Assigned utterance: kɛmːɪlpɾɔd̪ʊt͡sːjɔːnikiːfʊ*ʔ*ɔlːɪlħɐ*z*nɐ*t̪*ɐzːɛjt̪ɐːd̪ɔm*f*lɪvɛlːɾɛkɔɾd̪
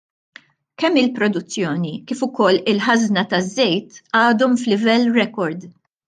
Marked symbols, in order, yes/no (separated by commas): no, yes, yes, yes